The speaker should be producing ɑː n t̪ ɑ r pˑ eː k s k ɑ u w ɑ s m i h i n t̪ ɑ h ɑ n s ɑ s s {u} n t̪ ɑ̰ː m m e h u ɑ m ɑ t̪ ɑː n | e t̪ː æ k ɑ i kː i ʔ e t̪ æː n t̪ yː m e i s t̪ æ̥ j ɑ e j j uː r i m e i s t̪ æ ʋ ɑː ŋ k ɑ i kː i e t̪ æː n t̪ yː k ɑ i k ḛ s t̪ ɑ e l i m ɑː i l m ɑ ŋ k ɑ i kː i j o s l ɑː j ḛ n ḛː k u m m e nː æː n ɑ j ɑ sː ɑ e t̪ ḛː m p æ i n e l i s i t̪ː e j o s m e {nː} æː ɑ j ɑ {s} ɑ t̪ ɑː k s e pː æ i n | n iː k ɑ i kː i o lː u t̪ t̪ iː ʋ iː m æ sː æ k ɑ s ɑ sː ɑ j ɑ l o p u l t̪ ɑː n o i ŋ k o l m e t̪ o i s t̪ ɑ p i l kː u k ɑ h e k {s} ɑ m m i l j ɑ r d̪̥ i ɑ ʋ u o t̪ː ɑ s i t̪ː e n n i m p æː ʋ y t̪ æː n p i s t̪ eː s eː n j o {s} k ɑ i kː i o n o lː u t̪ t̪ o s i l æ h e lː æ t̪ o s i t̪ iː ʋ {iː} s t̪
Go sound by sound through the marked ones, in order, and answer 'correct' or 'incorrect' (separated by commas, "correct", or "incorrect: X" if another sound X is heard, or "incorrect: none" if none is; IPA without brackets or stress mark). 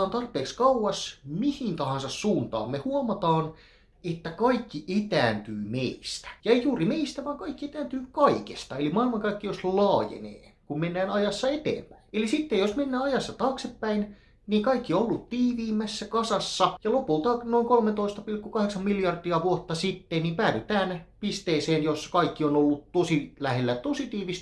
incorrect: uː, correct, incorrect: sː, correct, correct, incorrect: i